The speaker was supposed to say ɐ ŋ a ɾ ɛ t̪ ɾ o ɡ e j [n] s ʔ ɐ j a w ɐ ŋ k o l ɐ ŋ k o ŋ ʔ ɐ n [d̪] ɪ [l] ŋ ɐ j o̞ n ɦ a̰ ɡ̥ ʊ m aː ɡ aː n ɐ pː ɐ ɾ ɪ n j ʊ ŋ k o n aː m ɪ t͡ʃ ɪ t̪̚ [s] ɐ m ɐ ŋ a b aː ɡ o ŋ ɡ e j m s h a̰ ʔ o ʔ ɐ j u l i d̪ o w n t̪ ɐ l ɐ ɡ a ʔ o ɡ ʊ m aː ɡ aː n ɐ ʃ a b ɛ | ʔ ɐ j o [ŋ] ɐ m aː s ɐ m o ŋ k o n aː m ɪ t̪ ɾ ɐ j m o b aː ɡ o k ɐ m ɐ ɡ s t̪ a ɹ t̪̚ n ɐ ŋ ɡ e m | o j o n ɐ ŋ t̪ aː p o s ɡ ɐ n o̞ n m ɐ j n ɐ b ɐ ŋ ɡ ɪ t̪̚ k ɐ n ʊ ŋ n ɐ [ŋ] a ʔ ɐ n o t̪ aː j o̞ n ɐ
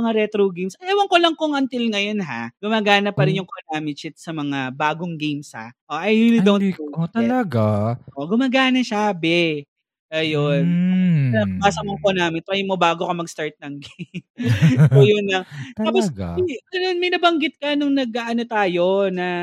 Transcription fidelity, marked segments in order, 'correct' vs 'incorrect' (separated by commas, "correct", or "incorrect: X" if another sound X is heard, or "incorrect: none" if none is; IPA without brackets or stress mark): incorrect: m, incorrect: t̪, correct, correct, incorrect: n, incorrect: ɡ